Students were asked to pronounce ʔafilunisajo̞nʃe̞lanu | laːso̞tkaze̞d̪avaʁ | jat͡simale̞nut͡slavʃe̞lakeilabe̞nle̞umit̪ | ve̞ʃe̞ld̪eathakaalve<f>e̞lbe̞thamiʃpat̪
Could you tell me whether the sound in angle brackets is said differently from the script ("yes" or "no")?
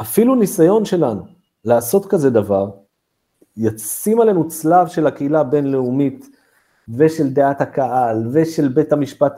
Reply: yes